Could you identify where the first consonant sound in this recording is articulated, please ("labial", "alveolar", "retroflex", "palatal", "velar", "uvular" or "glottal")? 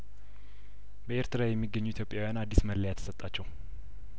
labial